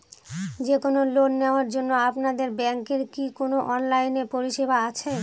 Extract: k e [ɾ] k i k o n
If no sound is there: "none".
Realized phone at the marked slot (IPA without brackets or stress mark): ɾ